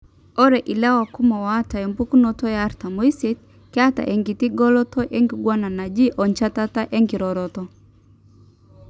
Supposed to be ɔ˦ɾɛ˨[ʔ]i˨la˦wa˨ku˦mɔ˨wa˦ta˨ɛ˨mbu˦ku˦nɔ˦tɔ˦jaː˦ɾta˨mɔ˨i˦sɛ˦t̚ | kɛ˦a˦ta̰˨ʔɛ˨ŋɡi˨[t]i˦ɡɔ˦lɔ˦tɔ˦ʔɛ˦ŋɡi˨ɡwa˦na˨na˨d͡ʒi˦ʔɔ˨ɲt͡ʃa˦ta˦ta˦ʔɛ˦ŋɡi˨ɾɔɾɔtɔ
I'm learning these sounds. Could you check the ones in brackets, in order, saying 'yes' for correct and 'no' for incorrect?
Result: yes, yes

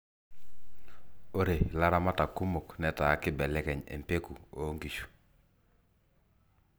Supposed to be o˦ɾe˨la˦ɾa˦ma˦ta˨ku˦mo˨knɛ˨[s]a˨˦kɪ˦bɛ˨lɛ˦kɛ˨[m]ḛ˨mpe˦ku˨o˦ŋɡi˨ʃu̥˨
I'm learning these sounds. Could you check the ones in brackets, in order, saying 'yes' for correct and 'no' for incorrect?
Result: no, no

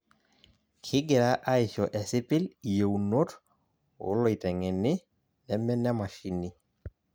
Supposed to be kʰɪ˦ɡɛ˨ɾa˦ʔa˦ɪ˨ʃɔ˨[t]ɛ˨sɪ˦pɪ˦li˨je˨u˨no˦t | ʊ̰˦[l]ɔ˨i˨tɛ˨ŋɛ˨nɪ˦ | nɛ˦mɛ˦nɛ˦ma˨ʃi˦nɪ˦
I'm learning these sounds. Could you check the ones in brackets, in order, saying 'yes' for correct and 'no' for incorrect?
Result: no, yes

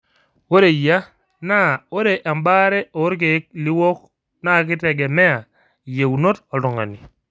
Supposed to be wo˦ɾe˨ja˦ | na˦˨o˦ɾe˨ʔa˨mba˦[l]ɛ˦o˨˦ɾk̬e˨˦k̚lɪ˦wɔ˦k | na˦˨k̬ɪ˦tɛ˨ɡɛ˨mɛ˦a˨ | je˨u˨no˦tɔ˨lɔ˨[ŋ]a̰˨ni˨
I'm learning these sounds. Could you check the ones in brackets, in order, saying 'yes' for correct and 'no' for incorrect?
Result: no, yes

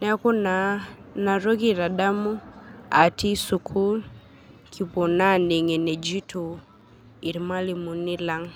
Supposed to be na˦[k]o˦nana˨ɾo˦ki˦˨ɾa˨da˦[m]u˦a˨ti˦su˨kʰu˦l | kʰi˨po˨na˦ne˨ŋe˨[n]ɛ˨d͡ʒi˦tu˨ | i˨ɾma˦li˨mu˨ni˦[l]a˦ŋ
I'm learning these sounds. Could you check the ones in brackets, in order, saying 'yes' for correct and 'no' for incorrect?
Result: yes, yes, yes, yes

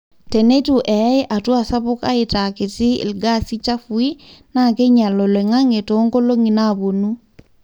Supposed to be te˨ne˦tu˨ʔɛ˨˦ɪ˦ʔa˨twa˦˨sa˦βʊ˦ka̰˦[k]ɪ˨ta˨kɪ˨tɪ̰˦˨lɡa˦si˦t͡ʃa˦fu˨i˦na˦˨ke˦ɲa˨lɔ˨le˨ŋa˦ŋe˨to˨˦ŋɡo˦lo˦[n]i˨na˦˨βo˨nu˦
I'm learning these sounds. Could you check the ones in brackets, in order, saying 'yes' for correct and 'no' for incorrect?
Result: no, no

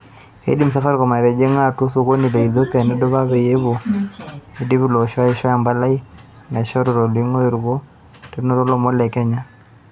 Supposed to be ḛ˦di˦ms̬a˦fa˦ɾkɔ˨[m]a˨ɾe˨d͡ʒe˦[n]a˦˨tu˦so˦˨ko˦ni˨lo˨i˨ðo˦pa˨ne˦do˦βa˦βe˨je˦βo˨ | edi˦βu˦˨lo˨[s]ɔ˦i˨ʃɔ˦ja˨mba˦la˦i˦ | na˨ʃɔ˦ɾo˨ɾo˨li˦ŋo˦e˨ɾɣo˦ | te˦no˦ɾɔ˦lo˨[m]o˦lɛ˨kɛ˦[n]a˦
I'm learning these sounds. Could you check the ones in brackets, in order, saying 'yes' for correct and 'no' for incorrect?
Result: yes, no, no, yes, no

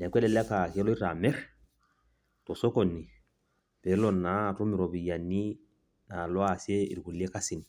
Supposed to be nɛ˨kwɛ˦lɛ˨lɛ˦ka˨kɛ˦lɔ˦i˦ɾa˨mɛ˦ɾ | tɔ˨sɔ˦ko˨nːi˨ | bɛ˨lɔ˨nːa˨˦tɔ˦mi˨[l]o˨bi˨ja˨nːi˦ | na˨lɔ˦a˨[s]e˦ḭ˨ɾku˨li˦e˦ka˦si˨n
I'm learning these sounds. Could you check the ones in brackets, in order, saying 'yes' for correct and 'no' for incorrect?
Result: no, yes

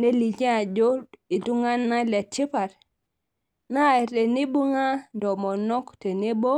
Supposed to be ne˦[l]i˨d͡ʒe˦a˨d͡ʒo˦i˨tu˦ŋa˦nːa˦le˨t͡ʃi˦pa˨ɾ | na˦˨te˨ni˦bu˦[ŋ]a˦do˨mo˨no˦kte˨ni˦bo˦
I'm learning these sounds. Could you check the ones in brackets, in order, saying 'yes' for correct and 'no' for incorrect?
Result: yes, yes

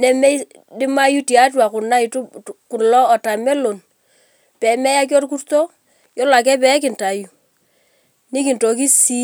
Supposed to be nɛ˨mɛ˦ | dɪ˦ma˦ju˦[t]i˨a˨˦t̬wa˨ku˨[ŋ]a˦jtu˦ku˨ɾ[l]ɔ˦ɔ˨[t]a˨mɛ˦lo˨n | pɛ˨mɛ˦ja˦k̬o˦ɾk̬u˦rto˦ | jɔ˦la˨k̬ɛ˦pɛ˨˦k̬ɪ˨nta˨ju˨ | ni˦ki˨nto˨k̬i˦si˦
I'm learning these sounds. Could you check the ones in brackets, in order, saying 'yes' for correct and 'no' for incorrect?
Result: yes, no, yes, yes

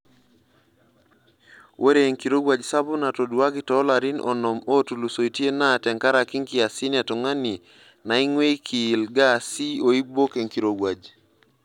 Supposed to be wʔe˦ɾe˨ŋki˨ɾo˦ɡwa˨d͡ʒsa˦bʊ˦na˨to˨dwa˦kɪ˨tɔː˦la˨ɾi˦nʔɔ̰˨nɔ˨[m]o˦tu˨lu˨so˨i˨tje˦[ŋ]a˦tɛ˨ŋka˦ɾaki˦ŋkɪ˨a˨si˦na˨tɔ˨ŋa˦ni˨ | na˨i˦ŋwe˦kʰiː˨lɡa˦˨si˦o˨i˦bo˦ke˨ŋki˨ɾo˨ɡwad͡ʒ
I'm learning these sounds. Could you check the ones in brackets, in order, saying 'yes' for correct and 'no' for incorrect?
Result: yes, no

